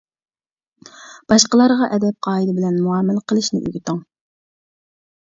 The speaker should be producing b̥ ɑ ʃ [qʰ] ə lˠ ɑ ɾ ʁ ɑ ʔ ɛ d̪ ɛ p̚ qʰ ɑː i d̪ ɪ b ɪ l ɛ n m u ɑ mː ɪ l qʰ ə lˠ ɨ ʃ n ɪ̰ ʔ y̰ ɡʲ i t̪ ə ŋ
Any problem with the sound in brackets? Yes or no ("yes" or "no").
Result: yes